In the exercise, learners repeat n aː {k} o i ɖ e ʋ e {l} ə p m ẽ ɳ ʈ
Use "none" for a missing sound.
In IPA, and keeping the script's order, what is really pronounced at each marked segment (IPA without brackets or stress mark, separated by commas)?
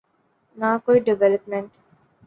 k, l